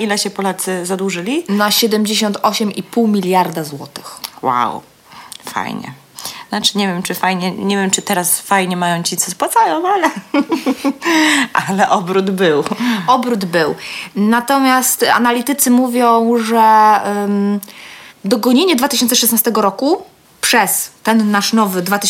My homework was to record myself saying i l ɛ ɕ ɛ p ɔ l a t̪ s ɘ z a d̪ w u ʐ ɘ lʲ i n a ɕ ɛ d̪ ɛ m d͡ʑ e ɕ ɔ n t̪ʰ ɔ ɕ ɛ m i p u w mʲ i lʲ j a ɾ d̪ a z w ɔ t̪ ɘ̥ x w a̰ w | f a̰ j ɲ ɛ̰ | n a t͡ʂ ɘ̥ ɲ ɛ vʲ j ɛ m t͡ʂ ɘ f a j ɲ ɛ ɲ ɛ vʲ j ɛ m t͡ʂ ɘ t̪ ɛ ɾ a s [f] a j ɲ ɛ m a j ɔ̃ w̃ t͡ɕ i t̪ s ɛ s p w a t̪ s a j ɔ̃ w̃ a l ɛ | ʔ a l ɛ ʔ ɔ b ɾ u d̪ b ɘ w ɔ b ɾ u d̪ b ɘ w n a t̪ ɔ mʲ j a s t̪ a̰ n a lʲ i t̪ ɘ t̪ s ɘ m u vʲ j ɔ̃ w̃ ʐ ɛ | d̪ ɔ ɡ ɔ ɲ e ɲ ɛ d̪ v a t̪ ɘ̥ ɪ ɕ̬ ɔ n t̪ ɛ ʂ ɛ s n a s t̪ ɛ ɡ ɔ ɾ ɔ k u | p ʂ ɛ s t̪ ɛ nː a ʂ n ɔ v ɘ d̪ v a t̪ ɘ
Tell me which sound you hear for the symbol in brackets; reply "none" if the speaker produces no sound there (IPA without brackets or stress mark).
f